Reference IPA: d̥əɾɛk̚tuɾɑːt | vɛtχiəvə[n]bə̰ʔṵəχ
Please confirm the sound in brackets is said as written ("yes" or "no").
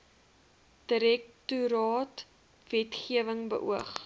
no